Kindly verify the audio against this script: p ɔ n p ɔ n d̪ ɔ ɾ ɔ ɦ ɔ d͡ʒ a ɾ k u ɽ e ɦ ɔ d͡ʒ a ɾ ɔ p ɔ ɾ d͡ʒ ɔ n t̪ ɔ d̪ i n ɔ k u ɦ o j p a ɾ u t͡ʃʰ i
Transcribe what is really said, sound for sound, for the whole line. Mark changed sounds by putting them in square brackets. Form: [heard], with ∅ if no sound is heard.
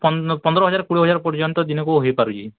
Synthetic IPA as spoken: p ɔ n p ɔ n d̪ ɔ ɾ ɔ ɦ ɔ d͡ʒ a ɾ k u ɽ [i] ɦ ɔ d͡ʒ a ɾ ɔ p ɔ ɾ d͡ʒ ɔ n t̪ ɔ d̪ i n ɔ k u ɦ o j p a ɾ u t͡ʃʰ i